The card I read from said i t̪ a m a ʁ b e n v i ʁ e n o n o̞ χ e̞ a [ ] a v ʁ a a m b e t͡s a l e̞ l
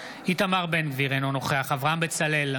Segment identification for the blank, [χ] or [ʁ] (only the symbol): χ